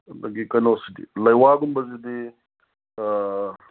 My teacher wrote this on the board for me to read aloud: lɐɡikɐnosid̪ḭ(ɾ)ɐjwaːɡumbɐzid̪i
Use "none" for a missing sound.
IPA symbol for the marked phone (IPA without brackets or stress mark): l